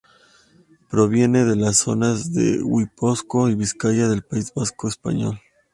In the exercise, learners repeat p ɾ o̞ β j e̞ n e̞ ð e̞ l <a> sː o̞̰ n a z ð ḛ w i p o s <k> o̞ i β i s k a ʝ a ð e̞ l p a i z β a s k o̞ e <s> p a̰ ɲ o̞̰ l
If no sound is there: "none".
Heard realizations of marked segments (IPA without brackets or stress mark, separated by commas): a, k, s